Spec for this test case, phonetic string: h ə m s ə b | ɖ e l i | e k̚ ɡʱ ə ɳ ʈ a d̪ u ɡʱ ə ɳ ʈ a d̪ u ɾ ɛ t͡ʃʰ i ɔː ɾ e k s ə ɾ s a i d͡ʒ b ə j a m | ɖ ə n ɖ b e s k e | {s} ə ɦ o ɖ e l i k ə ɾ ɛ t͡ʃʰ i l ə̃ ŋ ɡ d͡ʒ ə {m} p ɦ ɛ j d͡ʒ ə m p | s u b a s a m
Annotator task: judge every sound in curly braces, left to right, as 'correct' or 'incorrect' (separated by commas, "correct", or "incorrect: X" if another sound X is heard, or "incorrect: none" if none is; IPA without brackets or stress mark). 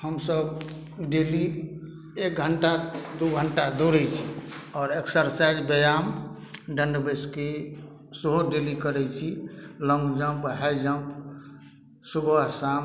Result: correct, correct